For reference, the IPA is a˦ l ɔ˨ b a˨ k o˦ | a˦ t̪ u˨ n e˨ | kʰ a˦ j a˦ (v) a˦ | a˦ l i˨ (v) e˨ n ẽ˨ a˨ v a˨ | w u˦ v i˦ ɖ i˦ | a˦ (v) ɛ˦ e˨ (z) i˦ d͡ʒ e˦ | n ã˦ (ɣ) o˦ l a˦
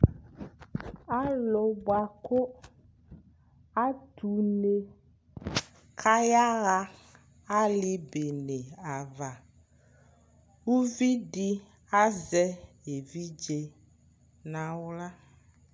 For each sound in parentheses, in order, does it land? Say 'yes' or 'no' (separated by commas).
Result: no, no, no, no, no